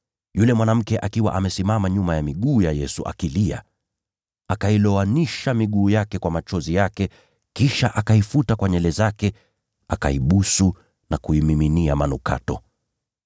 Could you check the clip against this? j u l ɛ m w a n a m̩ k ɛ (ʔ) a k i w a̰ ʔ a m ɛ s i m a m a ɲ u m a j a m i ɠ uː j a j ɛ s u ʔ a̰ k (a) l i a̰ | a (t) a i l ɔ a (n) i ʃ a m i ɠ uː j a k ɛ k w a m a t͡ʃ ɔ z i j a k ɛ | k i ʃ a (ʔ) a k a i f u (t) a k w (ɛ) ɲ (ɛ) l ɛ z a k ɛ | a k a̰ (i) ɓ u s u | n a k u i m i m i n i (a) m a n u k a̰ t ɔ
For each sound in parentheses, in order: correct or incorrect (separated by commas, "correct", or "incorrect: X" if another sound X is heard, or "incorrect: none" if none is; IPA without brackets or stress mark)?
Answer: correct, incorrect: i, incorrect: k, correct, correct, correct, incorrect: a, correct, correct, correct